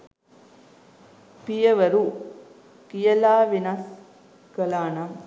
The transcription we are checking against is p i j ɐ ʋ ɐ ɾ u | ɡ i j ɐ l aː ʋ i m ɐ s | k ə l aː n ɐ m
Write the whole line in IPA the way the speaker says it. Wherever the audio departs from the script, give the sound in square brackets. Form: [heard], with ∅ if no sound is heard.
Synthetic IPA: p i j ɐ ʋ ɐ ɾ u | [k] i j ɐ l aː ʋ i [n] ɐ s | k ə l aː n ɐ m